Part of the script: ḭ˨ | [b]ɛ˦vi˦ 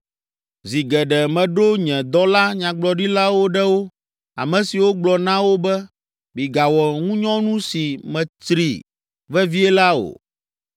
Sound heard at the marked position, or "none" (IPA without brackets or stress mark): v